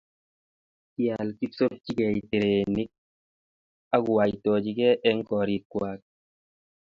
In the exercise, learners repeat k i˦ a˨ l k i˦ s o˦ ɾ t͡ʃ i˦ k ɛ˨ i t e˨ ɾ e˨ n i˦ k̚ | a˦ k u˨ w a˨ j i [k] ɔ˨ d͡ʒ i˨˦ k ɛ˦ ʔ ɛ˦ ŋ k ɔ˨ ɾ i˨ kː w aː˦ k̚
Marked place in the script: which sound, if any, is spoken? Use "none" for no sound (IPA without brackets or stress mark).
t